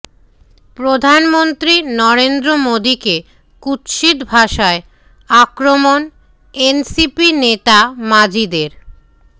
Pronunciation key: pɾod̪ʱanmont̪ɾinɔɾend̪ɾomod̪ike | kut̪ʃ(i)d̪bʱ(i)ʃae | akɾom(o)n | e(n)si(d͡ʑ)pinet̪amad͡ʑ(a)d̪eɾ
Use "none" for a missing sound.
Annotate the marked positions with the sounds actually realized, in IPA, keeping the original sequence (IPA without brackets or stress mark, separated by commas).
i, a, o, n, none, i